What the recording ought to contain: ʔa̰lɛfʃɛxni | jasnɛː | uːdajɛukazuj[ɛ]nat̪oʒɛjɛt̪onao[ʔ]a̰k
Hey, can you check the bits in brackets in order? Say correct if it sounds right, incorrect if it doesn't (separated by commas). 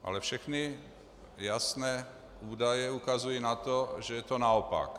incorrect, incorrect